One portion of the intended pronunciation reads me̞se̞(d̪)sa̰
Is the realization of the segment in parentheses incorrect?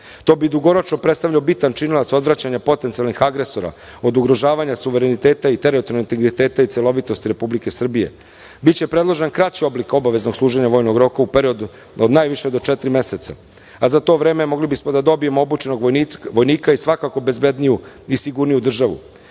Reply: yes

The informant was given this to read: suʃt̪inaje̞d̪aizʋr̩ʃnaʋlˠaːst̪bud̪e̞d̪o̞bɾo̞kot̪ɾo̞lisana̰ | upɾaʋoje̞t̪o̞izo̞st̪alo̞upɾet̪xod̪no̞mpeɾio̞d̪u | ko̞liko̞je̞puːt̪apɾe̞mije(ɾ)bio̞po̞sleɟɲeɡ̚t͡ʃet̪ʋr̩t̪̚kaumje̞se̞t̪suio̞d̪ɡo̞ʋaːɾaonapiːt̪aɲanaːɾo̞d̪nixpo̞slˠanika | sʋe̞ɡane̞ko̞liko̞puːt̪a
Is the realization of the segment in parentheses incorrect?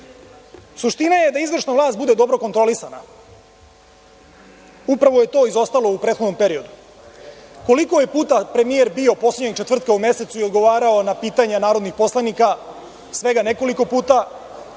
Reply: no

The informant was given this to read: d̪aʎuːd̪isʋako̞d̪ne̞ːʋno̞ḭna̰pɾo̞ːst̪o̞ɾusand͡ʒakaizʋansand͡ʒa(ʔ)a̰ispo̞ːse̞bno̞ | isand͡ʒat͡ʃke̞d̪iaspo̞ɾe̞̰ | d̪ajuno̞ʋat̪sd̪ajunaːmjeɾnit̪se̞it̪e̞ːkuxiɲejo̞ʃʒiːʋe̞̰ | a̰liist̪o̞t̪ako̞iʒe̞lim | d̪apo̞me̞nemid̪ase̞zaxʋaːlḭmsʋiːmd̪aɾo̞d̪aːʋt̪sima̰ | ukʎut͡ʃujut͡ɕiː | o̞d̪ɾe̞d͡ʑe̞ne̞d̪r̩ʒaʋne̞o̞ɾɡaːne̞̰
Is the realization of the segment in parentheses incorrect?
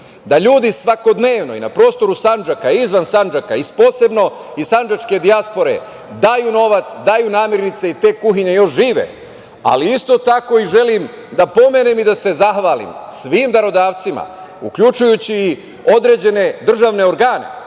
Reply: yes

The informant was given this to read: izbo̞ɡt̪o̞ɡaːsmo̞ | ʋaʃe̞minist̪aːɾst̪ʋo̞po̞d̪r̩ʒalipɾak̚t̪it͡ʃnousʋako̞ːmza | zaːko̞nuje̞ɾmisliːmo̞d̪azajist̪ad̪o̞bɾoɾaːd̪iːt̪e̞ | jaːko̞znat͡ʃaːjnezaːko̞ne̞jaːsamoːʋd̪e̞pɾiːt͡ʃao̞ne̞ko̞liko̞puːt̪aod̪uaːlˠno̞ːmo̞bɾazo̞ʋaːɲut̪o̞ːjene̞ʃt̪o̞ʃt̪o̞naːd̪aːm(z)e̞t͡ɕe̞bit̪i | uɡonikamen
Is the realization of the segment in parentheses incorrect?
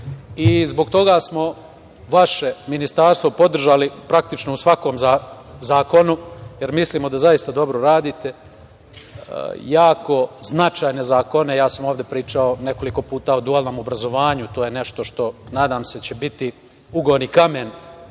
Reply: yes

